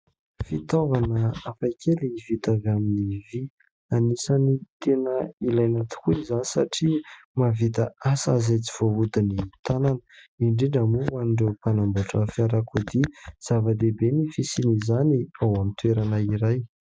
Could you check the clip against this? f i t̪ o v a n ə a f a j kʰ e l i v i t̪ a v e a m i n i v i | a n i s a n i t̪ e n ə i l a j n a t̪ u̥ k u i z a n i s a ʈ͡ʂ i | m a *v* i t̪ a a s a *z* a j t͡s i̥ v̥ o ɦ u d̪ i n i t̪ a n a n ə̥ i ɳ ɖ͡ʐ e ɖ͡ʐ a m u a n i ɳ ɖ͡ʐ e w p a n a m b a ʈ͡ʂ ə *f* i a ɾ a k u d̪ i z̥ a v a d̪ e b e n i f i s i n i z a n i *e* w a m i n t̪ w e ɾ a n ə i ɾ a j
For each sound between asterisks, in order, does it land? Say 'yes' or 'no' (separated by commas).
yes, yes, yes, no